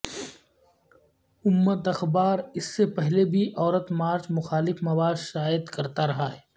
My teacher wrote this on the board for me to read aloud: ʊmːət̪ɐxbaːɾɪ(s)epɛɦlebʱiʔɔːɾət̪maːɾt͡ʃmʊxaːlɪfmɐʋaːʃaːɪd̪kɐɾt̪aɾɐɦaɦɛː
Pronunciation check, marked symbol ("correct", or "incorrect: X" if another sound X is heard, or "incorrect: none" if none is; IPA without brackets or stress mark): incorrect: sː